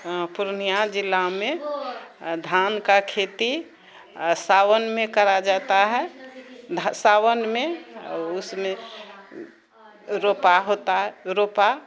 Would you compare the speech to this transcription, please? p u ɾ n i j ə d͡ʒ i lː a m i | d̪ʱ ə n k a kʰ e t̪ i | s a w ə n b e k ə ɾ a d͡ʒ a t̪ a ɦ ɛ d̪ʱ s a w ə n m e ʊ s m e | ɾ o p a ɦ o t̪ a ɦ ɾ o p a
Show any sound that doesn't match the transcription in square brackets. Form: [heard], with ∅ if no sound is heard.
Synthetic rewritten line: p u ɾ n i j [a] d͡ʒ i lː a m [e] | d̪ʱ [a] n k a kʰ e t̪ i | s a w ə n [m] e k ə ɾ a d͡ʒ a t̪ a ɦ ɛ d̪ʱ s a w ə n m e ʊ s m e | ɾ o p a ɦ o t̪ a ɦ ɾ o p a

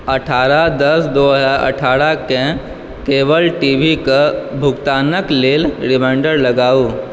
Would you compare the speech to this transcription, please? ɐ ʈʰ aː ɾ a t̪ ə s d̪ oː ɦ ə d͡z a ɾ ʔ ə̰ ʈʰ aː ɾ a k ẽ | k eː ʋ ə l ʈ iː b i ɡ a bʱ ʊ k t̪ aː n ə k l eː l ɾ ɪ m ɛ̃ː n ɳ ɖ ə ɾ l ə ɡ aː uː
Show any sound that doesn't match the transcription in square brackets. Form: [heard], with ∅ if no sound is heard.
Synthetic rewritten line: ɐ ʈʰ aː ɾ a [d̪] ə s d̪ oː ɦ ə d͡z a ɾ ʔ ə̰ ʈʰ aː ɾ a k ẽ | k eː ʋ ə l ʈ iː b i [k] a bʱ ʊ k t̪ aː n ə k l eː l ɾ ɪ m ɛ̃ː [∅] ɳ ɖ ə ɾ l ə ɡ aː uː

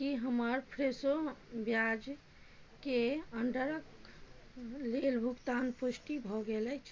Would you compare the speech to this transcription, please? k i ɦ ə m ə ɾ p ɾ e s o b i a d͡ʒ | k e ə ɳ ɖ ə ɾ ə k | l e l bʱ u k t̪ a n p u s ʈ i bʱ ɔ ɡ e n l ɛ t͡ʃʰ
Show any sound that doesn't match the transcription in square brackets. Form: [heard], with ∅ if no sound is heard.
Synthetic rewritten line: k i ɦ ə m ə ɾ [pʰ] ɾ e s o b [j] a d͡ʒ | k e ə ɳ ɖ ə ɾ ə k | l e l bʱ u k t̪ a n p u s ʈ i bʱ ɔ ɡ e [∅] l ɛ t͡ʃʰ

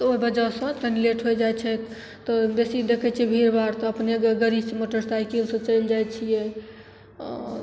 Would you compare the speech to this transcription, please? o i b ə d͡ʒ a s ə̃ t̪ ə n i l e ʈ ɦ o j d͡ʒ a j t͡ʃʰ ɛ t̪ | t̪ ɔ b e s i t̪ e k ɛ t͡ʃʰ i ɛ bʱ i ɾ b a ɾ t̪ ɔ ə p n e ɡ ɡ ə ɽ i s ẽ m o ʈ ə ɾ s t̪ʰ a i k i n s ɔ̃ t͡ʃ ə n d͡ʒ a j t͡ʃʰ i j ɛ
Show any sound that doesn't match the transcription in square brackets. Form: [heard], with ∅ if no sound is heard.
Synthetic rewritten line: o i b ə d͡ʒ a s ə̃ t̪ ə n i l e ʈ ɦ o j d͡ʒ a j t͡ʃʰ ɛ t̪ | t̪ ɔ b e s i [d̪] e [kʰ] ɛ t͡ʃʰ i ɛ bʱ i ɾ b a ɾ t̪ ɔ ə p n e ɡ ɡ ə [ɾ] i s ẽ m o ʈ ə ɾ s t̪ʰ a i k i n s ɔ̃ t͡ʃ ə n d͡ʒ a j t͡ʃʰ i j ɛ

